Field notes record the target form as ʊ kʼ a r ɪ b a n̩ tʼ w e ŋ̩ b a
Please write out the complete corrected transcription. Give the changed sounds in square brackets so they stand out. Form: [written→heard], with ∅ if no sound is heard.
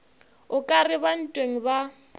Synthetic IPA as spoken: ʊ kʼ a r ɪ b a n̩ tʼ w e ŋ̩ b a